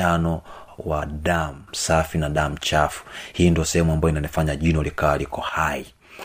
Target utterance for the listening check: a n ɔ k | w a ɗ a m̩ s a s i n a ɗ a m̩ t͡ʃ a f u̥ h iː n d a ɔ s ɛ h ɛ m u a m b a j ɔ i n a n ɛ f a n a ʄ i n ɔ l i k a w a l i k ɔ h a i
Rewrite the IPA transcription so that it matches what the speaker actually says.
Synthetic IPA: a n ɔ | w a ɗ a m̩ s a f i n a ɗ a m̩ t͡ʃ a f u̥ h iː n d i ɔ s ɛ h ɛ m u a m b a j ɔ i n a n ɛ f a ɲ a ʄ i n ɔ l i k a w a l i k ɔ h a i